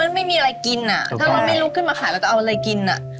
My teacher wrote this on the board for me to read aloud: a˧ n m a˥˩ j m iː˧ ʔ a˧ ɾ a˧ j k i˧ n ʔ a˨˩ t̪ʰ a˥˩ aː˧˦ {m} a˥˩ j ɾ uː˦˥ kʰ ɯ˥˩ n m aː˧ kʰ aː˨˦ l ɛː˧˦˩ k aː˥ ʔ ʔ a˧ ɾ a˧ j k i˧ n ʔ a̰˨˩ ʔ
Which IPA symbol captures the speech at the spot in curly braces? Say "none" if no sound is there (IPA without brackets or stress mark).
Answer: m